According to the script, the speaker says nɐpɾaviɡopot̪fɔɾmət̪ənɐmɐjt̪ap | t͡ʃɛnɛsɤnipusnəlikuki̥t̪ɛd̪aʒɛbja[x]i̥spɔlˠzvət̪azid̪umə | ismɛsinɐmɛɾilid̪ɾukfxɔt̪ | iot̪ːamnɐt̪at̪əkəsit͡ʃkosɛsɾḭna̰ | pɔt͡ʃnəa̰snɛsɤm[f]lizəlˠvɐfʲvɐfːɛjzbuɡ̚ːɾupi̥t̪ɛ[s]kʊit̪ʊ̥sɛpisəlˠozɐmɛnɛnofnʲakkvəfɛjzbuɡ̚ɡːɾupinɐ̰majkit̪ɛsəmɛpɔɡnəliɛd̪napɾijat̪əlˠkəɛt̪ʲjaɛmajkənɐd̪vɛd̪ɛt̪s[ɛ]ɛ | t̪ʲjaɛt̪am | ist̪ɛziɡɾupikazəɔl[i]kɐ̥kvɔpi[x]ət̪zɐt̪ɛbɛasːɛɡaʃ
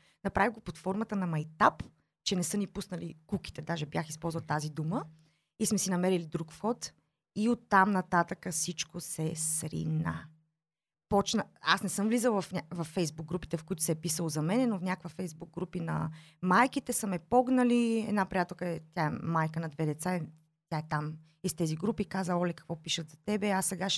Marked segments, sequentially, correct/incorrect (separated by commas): correct, incorrect, incorrect, incorrect, incorrect, incorrect